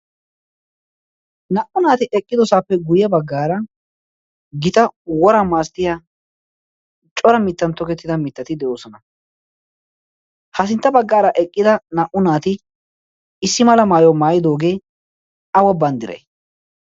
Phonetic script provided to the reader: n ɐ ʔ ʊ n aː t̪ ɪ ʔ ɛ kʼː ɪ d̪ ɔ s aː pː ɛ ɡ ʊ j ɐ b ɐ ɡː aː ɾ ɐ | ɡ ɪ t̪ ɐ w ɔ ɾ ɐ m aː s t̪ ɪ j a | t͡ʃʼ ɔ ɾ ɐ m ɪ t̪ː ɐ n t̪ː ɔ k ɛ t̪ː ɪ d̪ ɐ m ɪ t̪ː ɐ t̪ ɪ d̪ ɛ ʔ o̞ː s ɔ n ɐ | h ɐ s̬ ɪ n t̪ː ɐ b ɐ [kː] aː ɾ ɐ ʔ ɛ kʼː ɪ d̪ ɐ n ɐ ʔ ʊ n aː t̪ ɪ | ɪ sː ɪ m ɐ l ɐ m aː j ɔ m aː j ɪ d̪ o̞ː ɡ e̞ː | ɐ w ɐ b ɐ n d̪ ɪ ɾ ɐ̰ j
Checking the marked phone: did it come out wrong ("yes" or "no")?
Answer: yes